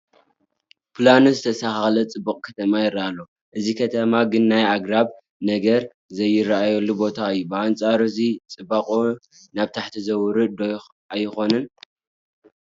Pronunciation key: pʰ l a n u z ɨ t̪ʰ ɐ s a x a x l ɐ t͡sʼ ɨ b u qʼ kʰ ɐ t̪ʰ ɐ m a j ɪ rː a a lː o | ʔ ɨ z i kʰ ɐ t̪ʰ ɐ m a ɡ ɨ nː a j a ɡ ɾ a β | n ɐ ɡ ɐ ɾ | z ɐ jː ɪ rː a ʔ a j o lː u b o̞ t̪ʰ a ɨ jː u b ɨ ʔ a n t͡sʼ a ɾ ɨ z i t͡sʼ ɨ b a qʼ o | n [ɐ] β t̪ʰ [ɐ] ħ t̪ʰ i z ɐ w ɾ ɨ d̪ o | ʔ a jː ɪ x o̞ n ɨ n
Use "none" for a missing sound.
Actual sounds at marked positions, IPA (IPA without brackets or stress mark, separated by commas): a, a